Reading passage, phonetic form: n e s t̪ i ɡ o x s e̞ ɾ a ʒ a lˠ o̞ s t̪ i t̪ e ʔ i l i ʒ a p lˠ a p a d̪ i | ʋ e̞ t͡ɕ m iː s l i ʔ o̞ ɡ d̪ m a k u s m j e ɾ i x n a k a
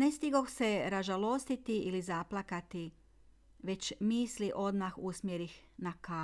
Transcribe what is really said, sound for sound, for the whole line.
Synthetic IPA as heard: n e s t̪ i ɡ o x s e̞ ɾ a ʒ a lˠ o̞ s t̪ i t̪ i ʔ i l i z a p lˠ a k a t̪ i | ʋ e̞ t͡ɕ m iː s l i ʔ o̞ d̪ m a x u s m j e ɾ i x n a k a